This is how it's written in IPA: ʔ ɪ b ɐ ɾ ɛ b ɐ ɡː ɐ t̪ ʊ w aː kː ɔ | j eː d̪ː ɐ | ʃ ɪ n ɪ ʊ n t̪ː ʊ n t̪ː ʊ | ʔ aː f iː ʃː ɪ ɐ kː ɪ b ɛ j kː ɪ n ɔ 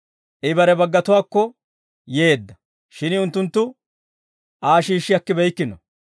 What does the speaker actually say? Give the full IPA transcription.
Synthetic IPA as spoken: ʔ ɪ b ɐ ɾ ɛ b ɐ ɡː ɐ t̪ ʊ w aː kː ɔ | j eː d̪ː ɐ | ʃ ɪ n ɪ ʊ n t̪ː ʊ n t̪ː ʊ | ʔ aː ʃ iː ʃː ɪ ɐ kː ɪ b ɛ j kː ɪ n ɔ